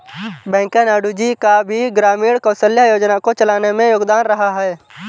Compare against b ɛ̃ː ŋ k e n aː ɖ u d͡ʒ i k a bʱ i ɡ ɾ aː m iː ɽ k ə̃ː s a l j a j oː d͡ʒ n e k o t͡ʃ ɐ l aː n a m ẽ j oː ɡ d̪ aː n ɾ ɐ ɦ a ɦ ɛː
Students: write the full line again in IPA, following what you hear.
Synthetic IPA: b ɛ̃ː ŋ k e n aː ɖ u d͡ʒ i k a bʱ i ɡ ɾ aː m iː ɽ k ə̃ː s ə l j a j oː d͡ʒ n a k o t͡ʃ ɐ l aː n e m ẽ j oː ɡ d̪ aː n ɾ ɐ ɦ a ɦ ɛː